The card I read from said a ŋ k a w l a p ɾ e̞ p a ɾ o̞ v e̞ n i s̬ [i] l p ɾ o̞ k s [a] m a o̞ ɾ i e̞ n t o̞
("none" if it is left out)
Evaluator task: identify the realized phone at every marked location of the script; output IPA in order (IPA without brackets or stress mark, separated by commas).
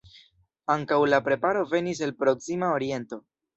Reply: e, i